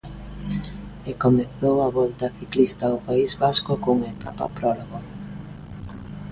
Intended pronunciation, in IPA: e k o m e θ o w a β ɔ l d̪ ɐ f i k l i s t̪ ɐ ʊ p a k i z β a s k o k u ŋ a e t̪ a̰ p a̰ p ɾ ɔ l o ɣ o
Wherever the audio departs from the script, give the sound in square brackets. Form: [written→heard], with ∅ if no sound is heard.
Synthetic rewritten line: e k o m e θ o w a β ɔ l [d̪→t̪] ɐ [f→θ] i k l i s t̪ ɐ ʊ p a [k→∅] i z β a s k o k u ŋ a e t̪ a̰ p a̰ p ɾ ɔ l o ɣ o